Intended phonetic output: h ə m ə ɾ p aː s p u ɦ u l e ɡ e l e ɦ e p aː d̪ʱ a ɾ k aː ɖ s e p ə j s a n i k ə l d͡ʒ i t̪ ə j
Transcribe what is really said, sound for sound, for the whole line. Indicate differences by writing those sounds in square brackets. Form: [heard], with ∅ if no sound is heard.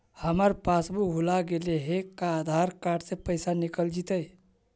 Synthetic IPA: h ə m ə ɾ p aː s [b] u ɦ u l [a] ɡ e l e ɦ e [k] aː d̪ʱ a ɾ k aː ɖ s e p ə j s a n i k ə l d͡ʒ i t̪ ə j